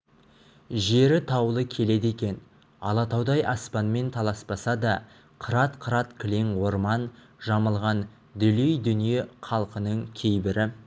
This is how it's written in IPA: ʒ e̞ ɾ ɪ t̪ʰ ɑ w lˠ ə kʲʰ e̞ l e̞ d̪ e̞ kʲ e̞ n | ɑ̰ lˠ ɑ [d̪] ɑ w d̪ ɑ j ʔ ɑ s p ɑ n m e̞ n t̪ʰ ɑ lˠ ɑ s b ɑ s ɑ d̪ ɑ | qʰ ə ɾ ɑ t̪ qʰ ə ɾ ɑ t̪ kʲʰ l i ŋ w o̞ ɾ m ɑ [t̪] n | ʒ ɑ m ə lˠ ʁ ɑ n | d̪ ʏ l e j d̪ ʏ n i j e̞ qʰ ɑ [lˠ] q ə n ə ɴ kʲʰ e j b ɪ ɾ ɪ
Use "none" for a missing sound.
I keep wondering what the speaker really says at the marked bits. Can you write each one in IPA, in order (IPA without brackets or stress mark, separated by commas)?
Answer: t̪, none, lˠ